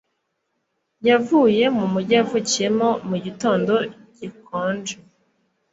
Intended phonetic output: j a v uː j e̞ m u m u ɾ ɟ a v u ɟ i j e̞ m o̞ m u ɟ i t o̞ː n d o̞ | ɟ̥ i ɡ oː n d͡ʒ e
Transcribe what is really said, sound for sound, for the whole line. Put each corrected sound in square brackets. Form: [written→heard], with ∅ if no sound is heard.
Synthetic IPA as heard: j a v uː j e̞ m u m u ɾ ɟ a v u [ɟ→c] i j e̞ m o̞ m u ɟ i t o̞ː n d o̞ | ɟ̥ i [ɡ→k] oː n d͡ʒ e